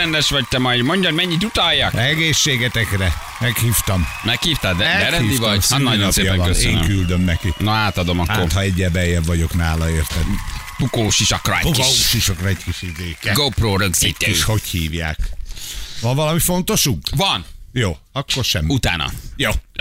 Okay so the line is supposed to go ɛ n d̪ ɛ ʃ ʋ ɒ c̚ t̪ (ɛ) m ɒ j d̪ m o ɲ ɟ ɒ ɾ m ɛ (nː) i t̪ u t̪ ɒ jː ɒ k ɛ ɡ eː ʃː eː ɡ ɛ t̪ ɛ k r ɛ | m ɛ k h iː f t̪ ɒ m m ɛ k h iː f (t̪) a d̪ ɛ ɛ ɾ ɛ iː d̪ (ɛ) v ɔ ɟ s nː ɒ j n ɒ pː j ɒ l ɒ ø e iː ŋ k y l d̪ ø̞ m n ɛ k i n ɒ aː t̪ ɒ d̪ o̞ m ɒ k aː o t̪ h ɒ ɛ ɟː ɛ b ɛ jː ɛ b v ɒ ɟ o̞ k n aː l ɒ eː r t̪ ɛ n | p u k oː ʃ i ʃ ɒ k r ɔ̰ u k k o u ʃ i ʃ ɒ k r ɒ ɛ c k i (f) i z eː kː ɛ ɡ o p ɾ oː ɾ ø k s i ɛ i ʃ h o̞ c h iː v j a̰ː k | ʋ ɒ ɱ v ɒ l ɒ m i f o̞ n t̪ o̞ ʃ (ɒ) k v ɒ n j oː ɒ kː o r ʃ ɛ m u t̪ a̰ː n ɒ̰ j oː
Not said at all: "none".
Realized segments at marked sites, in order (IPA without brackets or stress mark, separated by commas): ɛ, ɲː, t̪, i, ʃ, u